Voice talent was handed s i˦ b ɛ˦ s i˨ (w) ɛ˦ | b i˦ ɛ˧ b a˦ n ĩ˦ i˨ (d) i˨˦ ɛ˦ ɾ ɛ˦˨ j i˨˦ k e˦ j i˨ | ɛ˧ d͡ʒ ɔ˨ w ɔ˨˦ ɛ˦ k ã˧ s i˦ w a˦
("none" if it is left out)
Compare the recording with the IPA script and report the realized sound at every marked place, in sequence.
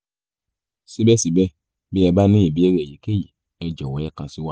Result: b, b

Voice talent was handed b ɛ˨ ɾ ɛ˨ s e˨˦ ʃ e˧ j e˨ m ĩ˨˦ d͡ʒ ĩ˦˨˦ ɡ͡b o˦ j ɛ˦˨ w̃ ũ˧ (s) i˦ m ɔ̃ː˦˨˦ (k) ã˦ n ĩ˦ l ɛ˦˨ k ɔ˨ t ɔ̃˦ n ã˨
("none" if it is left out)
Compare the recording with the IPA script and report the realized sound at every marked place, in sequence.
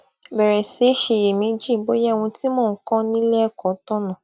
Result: t, k

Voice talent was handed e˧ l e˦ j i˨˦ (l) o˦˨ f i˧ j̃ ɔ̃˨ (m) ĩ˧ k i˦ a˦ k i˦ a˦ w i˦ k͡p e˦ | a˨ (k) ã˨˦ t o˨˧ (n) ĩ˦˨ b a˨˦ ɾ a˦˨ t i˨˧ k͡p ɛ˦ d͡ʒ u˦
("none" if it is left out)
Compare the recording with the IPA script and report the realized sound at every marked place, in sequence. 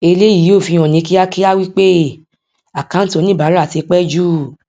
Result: none, n, k, n

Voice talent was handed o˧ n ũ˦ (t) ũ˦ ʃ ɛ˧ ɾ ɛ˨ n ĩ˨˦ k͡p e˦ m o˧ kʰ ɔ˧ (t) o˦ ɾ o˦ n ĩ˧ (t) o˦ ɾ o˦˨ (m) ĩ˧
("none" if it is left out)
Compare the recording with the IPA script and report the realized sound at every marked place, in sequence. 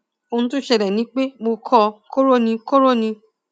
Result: t, k, k, n

